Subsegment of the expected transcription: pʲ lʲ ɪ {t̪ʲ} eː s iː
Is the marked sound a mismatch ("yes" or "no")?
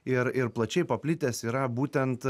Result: no